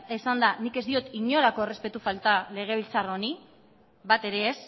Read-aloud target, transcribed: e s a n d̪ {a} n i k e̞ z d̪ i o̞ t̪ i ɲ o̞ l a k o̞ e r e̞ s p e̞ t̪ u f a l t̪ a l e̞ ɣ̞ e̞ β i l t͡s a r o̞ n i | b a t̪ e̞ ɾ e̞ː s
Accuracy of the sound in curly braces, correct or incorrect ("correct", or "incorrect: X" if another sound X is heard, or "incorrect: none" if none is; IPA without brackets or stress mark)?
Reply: correct